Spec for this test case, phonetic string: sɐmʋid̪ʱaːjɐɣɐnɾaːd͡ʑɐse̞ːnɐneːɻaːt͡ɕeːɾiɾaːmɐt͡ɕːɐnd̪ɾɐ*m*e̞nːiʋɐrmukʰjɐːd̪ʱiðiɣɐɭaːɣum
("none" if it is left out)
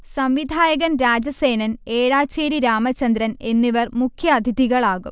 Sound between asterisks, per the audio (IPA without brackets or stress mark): n